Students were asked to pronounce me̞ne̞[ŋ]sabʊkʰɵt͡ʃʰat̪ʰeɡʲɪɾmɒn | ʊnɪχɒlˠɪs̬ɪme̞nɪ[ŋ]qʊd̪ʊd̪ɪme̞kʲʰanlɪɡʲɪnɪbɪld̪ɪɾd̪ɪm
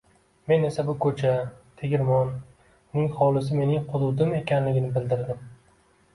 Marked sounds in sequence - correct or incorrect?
incorrect: none, correct

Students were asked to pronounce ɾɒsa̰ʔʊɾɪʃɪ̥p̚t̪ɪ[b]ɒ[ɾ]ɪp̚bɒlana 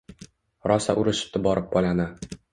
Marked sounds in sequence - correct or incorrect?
correct, correct

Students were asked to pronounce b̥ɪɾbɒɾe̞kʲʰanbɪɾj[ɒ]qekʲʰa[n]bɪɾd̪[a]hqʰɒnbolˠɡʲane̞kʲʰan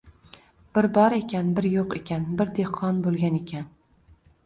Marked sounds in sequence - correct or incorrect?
incorrect: o, correct, incorrect: e

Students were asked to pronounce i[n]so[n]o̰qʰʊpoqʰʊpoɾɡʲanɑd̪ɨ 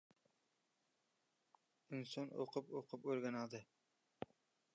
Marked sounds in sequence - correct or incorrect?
correct, correct

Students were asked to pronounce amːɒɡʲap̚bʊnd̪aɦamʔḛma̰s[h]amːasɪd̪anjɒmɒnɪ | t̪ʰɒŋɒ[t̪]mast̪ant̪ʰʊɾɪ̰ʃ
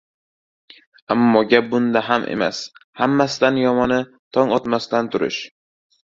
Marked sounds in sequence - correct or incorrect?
correct, correct

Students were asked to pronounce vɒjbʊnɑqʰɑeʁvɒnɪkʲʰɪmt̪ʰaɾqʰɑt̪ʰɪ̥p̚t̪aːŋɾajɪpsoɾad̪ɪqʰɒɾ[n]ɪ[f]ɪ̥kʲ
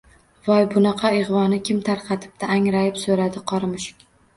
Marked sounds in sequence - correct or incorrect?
incorrect: m, incorrect: ʃ

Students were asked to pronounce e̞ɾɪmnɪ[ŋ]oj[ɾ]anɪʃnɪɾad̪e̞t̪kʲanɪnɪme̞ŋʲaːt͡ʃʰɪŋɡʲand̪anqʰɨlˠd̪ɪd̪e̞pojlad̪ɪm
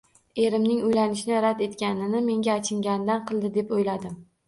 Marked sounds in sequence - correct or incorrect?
correct, incorrect: l

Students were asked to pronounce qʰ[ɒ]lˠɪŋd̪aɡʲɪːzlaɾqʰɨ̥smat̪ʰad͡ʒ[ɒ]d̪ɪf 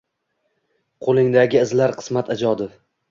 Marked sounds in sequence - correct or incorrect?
incorrect: o, correct

